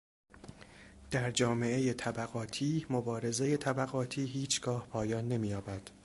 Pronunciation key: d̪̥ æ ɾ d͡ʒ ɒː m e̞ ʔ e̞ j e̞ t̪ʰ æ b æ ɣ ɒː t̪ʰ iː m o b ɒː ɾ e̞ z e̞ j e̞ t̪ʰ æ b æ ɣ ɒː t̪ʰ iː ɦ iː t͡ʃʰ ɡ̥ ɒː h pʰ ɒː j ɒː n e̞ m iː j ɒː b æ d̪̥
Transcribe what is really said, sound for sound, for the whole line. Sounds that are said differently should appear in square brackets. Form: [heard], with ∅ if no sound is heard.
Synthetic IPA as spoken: d̪̥ æ ɾ d͡ʒ ɒː m e̞ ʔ e̞ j e̞ t̪ʰ æ b æ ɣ ɒː t̪ʰ iː m o b ɒː ɾ e̞ z e̞ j e̞ t̪ʰ æ b æ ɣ ɒː t̪ʰ iː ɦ iː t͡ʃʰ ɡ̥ ɒː h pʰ ɒː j ɒː [nː] e̞ m iː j ɒː b æ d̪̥